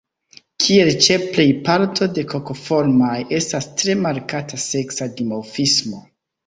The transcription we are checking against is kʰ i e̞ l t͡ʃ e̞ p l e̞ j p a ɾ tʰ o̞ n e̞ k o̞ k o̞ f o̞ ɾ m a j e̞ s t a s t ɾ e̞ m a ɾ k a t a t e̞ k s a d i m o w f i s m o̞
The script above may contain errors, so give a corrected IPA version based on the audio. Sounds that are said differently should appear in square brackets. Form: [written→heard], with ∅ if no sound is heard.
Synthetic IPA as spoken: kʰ i e̞ l t͡ʃ e̞ p l e̞ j p a ɾ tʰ o̞ [n→d] e̞ k o̞ k o̞ f o̞ ɾ m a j e̞ s t a s t ɾ e̞ m a ɾ k a t a [t→s] e̞ k s a d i m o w f i s m o̞